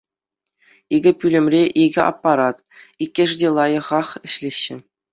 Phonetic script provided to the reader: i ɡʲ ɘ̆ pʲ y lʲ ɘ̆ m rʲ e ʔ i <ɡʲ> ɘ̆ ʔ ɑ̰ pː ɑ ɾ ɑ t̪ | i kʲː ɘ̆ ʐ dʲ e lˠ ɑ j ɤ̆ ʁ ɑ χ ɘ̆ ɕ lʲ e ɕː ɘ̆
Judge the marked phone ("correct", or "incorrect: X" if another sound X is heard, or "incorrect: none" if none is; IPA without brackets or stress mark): correct